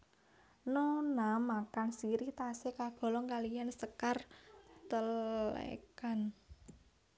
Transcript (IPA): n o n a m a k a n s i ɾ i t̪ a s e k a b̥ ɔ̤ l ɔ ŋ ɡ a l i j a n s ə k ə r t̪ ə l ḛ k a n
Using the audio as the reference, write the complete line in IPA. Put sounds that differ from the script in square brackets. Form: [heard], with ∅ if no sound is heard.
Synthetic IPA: n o n a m a k a n s i ɾ i t̪ a s e k a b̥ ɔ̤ l ɔ ŋ [k] a l i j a n s ə k [a] r t̪ ə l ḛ k a n